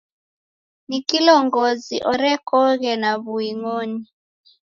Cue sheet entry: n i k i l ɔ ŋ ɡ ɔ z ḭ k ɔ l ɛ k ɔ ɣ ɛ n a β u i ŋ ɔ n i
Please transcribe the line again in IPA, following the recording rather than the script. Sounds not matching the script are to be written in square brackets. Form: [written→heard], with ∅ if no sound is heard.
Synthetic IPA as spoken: n i k i l ɔ ŋ ɡ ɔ z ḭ [k→ʔ] ɔ [l→ɾ] ɛ k ɔ ɣ ɛ n a β u i ŋ ɔ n i